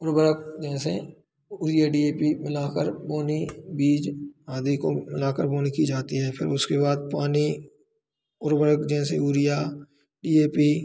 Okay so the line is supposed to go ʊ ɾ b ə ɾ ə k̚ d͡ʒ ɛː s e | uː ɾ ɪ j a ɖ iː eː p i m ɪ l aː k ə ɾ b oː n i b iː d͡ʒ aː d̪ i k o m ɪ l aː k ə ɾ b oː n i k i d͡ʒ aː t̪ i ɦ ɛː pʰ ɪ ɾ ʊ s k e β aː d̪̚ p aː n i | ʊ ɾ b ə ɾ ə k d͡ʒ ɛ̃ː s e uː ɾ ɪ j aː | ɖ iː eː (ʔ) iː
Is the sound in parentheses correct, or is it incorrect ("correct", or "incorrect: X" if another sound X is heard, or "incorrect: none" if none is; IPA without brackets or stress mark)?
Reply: incorrect: p